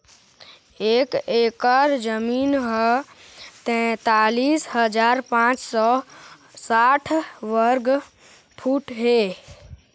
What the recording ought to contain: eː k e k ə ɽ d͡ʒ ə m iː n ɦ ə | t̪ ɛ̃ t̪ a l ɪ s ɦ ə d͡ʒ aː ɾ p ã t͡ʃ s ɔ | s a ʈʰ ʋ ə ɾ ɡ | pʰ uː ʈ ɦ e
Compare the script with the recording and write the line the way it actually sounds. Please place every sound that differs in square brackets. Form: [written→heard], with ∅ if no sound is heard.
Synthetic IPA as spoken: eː k e k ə [ɽ→ɾ] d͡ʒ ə m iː n ɦ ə | t̪ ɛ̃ t̪ a l [ɪ→i] s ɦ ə d͡ʒ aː ɾ p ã t͡ʃ s ɔ | s a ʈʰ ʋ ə ɾ ɡ | pʰ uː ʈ ɦ e